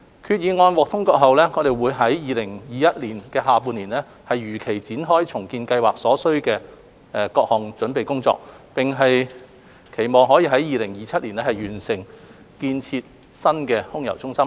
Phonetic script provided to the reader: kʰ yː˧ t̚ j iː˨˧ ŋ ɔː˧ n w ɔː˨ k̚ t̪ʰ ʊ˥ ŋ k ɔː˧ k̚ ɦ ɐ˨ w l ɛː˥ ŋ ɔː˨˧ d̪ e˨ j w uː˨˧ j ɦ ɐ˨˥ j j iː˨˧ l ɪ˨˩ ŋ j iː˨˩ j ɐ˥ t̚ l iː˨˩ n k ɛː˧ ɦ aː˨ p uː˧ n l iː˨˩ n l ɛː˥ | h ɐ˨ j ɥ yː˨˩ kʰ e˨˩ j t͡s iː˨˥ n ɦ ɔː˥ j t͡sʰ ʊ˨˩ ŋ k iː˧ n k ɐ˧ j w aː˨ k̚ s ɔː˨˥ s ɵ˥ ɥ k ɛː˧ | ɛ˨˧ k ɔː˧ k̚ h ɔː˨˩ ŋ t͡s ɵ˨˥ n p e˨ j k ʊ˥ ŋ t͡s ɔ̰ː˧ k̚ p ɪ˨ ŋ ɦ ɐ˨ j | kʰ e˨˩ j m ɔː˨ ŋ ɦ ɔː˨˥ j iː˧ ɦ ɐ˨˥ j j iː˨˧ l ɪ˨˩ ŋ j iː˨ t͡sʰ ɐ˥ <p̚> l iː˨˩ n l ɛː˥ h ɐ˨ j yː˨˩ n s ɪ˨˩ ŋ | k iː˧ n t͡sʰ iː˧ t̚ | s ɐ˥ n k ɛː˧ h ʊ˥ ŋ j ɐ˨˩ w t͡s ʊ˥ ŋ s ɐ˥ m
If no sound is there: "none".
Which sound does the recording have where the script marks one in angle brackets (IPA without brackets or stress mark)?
t̚